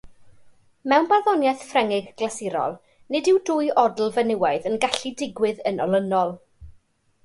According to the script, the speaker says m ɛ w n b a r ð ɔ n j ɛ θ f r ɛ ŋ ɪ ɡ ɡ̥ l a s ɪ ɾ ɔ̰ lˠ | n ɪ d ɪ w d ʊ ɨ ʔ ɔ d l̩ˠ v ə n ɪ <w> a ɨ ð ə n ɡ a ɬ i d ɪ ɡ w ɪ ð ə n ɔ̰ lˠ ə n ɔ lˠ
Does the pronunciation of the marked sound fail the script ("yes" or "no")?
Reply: no